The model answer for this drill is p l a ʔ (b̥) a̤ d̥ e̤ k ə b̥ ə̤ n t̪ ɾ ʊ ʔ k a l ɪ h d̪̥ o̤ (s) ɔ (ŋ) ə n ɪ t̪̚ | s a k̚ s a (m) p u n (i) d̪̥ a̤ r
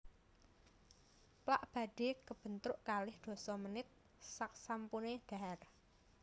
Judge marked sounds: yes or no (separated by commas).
yes, yes, no, yes, no